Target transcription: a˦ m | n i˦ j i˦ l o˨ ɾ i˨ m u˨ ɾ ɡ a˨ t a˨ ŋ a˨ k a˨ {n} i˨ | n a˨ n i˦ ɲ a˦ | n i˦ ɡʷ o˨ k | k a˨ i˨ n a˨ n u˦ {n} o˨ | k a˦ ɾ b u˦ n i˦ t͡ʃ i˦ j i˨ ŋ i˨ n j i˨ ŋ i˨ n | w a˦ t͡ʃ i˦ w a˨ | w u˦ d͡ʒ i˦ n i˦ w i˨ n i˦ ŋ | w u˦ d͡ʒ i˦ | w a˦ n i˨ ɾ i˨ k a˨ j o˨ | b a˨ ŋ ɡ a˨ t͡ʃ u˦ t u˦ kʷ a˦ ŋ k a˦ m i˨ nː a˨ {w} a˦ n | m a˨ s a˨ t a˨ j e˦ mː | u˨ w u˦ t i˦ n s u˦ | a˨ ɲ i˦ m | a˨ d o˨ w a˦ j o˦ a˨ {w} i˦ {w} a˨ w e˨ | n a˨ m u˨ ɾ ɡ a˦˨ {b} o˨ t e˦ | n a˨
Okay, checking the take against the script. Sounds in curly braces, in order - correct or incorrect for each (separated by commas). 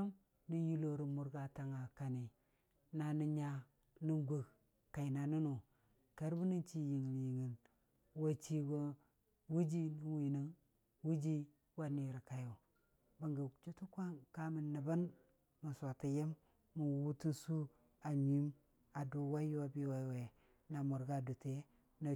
correct, correct, incorrect, incorrect, correct, incorrect